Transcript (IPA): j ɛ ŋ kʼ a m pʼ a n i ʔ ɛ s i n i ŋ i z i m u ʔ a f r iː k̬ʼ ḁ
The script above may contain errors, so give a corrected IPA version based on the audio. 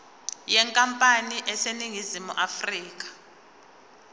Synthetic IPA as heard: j ɛ ŋ kʼ a m pʼ a n i ʔ ɛ s e n i ŋ i z i m u ʔ a f r iː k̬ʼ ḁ